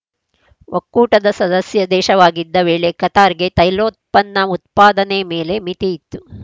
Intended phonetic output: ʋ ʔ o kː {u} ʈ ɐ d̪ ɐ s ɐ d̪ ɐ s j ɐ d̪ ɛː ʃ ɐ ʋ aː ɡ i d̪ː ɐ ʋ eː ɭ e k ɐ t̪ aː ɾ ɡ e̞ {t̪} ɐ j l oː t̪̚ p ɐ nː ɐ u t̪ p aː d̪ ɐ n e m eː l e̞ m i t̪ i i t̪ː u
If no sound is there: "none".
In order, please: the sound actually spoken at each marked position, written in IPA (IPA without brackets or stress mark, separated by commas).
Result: uː, t̪